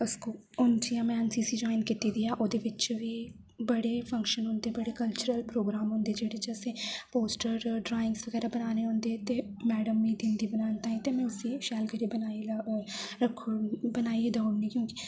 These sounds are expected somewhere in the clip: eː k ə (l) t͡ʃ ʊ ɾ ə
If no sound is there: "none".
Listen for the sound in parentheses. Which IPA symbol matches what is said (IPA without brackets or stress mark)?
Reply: l